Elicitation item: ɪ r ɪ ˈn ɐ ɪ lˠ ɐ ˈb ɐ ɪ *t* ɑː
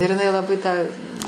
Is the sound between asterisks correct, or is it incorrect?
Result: correct